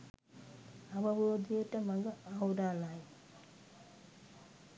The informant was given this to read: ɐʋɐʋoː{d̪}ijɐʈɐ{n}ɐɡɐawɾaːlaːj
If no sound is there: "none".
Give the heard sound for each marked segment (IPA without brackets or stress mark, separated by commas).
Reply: d̪, m